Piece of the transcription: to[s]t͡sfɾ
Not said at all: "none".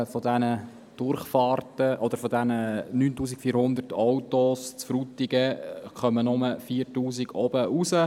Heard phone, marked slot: s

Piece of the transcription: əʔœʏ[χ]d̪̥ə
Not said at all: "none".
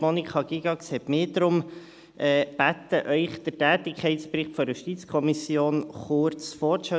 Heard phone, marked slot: χ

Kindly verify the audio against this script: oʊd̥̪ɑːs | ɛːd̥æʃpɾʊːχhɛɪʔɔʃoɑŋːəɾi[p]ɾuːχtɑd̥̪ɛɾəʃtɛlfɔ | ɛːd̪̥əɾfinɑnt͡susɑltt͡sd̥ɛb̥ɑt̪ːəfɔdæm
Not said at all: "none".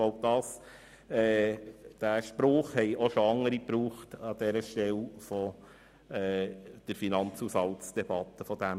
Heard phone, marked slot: p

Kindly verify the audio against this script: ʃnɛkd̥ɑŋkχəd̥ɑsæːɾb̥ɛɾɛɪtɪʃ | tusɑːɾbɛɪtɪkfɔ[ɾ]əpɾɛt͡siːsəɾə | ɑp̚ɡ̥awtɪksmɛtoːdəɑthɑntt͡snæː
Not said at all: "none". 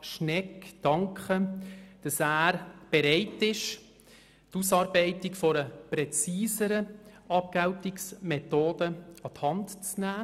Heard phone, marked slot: ɾ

